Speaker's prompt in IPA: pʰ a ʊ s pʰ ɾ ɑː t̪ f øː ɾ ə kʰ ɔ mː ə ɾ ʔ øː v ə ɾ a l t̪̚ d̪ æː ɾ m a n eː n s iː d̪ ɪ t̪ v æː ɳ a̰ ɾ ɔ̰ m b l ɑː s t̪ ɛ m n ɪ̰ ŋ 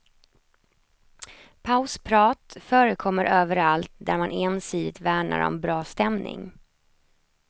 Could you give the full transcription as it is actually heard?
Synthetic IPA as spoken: pʰ a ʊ s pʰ ɾ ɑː t̪ f œː ɾ ə kʰ ɔ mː ə ɾ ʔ øː v ə ɾ a l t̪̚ d̪ æ ɾ m a n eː n s iː d̪ ɪ t̪ v æː ɳ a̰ ɾ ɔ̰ m b ɾ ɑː s t̪ ɛ m n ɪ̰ ŋ